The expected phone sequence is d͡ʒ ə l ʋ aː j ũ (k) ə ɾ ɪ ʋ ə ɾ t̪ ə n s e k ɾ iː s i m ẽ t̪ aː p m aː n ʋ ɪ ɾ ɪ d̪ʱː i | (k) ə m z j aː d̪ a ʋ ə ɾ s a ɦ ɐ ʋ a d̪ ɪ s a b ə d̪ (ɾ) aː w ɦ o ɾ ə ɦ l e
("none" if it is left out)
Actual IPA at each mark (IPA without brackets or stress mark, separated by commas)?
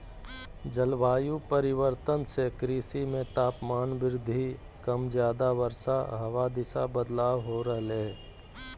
p, k, l